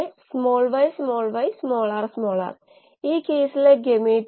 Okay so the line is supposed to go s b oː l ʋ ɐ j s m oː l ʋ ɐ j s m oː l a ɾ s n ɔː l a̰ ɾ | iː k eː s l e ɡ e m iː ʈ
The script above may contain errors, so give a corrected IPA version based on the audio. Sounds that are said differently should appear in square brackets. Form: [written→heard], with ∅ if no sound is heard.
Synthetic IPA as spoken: s [b→m] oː l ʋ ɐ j s m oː l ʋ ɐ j s m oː l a ɾ s [n→m] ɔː l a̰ ɾ | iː k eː s l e ɡ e m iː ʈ